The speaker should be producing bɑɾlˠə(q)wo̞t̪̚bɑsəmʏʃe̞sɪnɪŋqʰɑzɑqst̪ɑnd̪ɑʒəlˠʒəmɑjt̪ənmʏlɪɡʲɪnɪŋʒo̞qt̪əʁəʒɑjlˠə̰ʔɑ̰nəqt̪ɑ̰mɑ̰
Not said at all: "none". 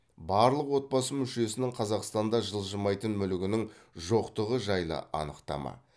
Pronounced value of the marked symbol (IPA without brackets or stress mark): q